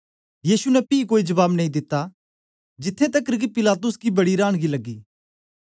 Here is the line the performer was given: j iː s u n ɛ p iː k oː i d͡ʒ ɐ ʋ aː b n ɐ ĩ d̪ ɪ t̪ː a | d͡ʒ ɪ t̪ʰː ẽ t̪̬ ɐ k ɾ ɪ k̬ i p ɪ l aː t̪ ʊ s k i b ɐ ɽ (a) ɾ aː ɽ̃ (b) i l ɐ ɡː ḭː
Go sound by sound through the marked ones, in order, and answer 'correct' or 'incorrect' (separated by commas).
incorrect, incorrect